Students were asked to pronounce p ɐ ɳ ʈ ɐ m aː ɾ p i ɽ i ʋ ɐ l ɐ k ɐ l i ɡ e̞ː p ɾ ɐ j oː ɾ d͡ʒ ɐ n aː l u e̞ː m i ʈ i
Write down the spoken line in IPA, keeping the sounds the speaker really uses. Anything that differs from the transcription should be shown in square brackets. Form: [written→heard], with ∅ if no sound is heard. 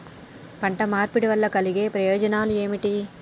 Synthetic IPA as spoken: p ɐ ɳ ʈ ɐ m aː ɾ p i ɽ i ʋ ɐ [l→lː] ɐ k ɐ l i ɡ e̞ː p ɾ ɐ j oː [ɾ→∅] d͡ʒ ɐ n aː l u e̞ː m i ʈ i